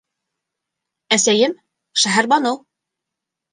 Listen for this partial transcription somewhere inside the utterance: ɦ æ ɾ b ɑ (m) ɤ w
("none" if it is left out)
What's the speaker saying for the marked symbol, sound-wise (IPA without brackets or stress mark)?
n